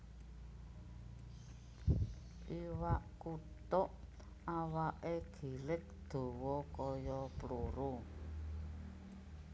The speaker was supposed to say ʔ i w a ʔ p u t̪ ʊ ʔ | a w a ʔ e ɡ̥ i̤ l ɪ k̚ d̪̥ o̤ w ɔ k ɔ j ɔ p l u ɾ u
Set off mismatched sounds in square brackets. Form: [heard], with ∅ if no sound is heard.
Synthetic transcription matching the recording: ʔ i w a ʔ [k] u t̪ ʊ ʔ | a w a ʔ e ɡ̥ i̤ l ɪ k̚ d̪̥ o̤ w ɔ k ɔ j ɔ p l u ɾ u